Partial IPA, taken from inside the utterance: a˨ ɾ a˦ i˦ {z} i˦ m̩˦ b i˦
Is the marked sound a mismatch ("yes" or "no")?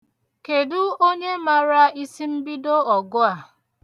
yes